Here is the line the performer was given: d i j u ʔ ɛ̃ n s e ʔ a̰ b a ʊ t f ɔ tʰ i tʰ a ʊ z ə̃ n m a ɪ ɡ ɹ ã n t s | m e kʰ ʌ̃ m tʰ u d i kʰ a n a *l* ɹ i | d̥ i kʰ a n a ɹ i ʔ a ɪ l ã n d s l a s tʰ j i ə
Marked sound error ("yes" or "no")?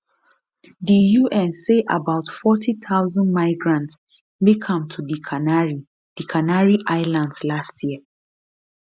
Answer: yes